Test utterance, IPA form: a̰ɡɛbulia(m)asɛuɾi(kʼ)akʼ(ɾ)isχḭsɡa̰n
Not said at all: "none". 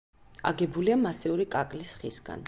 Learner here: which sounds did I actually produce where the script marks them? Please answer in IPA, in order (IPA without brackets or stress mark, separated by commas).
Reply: m, kʼ, l